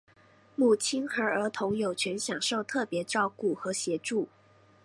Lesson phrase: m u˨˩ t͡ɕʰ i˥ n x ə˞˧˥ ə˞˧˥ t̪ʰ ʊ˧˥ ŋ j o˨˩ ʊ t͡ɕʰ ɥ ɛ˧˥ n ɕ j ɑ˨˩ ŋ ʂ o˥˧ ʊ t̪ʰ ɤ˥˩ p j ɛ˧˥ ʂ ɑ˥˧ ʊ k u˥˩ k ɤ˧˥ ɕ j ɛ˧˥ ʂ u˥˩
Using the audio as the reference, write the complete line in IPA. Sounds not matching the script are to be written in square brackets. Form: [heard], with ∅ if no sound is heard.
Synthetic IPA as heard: m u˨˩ t͡ɕʰ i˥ n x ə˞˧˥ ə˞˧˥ t̪ʰ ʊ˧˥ ŋ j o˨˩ ʊ t͡ɕʰ ɥ ɛ˧˥ n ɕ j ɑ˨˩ ŋ ʂ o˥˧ ʊ t̪ʰ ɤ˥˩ p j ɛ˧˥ [ʈ͡ʂ] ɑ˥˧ ʊ k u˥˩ [x] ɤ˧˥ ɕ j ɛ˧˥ [ʈ͡ʂ] u˥˩